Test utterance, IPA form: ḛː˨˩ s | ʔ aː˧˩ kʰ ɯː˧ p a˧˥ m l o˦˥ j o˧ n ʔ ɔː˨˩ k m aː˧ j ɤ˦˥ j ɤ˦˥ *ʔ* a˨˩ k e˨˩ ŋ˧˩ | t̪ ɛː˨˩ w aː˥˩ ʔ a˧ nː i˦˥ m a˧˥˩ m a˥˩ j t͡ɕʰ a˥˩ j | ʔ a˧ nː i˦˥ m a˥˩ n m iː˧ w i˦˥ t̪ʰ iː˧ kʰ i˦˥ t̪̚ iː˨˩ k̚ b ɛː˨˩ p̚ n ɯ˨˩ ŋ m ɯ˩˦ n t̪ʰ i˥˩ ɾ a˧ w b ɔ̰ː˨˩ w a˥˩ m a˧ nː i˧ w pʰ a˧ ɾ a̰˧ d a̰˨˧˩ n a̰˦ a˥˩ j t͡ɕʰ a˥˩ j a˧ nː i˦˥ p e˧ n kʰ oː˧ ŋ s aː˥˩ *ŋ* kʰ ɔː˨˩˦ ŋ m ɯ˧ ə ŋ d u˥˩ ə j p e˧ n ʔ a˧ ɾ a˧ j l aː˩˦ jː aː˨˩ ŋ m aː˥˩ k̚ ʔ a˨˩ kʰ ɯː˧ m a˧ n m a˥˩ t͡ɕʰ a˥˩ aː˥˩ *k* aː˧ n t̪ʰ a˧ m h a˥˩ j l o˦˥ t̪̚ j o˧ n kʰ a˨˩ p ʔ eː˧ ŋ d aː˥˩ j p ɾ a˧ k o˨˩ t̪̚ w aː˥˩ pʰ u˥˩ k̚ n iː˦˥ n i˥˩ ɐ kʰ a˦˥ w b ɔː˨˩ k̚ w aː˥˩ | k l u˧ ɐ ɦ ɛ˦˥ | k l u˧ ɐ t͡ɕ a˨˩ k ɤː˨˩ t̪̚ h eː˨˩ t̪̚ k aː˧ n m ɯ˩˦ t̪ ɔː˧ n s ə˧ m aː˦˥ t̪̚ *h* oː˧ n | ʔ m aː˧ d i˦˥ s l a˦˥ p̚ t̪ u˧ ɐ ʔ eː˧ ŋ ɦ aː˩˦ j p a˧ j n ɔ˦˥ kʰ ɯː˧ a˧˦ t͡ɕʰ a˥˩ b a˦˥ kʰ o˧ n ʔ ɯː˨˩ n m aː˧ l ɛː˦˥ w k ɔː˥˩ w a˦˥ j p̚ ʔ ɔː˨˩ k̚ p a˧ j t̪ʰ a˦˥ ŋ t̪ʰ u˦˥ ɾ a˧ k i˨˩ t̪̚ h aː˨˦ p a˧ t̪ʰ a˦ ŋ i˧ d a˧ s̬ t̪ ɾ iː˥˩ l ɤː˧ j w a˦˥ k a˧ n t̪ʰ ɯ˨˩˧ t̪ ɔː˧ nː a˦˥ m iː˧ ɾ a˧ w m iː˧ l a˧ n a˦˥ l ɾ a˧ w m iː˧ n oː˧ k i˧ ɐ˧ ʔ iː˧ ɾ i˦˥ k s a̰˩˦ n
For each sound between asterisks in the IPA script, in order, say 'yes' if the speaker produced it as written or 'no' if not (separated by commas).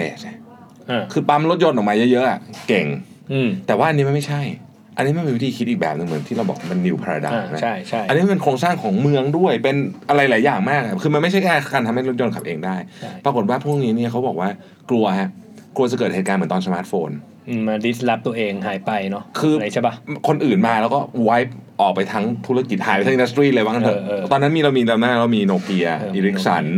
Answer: yes, yes, yes, no